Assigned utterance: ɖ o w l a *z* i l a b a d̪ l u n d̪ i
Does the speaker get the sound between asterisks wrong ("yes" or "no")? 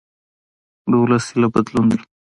yes